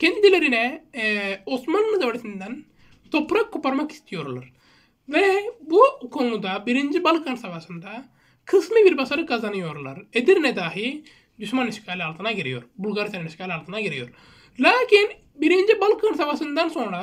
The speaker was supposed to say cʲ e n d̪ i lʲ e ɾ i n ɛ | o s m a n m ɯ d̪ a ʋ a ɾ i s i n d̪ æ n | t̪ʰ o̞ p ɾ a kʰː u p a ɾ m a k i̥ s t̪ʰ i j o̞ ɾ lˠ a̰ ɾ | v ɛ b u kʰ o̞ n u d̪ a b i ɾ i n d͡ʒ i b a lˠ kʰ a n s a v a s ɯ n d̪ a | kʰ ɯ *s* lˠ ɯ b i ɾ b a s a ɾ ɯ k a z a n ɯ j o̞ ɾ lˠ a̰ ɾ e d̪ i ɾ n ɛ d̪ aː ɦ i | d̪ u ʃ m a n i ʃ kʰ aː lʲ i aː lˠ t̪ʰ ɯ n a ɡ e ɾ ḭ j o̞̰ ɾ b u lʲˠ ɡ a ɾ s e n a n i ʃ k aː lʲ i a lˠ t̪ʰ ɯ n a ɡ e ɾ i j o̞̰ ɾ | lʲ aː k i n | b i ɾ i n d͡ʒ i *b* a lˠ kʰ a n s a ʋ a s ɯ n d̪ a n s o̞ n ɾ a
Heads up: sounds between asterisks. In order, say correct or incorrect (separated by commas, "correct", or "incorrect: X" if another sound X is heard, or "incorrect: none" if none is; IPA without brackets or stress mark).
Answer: correct, correct